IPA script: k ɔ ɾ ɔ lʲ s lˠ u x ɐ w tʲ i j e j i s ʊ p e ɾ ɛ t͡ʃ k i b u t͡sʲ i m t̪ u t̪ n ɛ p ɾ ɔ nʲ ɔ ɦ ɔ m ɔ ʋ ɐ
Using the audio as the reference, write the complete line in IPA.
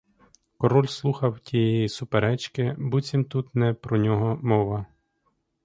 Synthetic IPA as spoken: k ɔ ɾ ɔ lʲ s lˠ u x ɐ w tʲ i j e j i s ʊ p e ɾ ɛ t͡ʃ k ɪ b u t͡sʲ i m t̪ u t̪ n ɛ p ɾ ɔ nʲ ɔ ɦ ɔ m ɔ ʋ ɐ